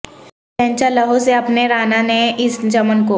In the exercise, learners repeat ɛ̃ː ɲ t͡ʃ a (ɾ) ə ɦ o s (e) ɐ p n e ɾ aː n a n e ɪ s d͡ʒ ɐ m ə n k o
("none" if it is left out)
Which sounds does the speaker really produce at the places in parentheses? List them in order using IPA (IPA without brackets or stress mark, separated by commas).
l, e